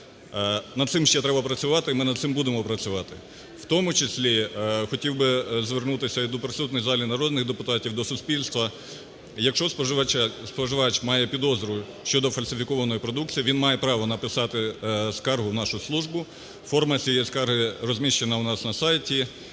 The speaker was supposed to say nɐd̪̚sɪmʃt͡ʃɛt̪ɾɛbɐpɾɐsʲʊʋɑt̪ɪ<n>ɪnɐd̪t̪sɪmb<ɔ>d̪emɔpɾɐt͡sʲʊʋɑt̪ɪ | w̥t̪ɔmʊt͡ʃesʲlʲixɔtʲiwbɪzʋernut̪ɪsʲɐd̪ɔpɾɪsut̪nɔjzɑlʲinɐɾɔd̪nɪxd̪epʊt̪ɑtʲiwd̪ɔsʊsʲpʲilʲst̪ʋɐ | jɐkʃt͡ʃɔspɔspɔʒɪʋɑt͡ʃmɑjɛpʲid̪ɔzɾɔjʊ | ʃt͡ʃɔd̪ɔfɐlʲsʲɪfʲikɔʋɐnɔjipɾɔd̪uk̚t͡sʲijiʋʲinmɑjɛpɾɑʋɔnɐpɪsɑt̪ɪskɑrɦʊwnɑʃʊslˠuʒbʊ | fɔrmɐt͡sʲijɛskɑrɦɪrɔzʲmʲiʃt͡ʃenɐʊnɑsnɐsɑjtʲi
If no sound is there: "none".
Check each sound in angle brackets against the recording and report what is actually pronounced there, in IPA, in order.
m, u

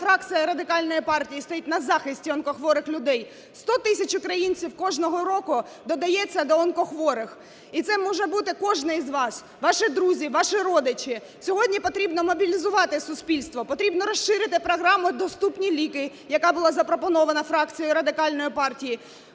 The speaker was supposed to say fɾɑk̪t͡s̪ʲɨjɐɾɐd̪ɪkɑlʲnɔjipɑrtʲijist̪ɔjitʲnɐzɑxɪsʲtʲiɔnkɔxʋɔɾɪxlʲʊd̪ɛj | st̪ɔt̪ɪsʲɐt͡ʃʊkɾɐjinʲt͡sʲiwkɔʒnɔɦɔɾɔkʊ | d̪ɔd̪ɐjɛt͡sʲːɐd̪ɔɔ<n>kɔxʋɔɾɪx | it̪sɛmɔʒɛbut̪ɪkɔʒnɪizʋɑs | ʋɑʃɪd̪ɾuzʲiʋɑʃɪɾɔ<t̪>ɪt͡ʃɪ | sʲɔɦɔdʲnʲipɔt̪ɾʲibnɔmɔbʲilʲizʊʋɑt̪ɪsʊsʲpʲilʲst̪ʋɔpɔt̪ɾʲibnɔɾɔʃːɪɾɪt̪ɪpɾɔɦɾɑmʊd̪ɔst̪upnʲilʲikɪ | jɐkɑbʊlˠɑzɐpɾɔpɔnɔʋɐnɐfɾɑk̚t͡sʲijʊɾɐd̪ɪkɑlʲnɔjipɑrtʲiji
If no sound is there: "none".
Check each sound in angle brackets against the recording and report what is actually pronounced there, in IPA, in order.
n, d̪

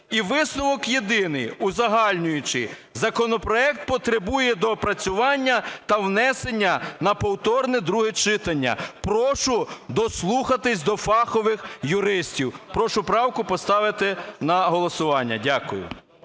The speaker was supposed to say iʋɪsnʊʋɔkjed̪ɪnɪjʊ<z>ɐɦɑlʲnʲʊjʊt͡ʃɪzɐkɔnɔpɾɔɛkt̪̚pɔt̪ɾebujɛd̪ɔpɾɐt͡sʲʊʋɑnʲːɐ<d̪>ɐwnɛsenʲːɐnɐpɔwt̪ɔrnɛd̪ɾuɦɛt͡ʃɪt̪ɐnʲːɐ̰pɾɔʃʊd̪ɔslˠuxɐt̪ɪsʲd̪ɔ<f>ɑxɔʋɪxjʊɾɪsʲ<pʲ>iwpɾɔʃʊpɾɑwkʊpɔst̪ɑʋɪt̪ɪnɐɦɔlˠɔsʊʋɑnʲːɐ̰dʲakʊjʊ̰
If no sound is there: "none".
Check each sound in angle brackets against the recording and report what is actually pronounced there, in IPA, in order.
z, t̪, f, tʲ

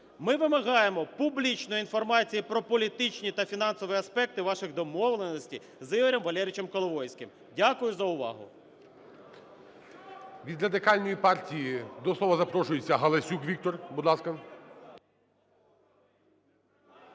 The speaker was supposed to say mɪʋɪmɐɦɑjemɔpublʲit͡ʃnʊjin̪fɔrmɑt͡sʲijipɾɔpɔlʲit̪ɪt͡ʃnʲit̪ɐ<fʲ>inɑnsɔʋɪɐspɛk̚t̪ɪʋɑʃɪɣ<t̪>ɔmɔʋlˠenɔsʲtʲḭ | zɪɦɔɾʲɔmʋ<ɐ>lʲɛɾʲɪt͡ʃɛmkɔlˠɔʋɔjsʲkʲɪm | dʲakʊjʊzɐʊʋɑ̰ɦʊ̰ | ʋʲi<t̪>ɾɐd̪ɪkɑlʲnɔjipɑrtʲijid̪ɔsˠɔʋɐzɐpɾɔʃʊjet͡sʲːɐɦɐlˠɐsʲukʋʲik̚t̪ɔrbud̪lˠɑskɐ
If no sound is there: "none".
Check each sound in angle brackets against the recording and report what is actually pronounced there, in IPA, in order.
fʲ, d̪, ɐ, d̪

